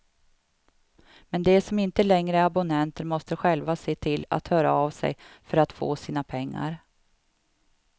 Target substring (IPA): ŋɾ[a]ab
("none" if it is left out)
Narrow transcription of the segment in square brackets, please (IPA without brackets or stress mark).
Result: ə